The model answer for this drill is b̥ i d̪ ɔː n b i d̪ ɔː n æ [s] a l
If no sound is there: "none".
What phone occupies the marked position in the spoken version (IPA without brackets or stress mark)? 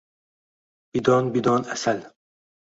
s